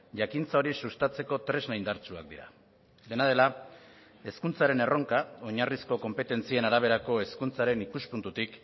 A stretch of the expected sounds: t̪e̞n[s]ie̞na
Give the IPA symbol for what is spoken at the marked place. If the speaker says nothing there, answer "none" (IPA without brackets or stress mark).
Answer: t͡s